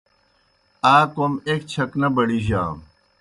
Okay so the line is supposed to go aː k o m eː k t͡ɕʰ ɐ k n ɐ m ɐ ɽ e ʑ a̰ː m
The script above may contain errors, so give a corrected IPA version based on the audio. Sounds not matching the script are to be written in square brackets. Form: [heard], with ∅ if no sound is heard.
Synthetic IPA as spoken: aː k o m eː k t͡ɕʰ ɐ k n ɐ [b] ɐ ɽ [i] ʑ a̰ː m